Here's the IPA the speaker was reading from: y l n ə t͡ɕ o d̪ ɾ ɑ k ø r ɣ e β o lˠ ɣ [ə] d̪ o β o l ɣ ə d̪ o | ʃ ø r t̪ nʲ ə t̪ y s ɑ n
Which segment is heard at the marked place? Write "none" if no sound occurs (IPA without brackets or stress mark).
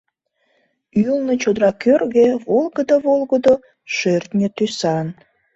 ə